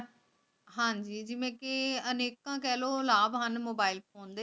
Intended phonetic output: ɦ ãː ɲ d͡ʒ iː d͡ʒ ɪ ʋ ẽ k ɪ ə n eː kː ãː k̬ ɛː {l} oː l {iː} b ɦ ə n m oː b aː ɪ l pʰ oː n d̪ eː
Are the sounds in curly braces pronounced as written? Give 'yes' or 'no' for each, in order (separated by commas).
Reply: yes, no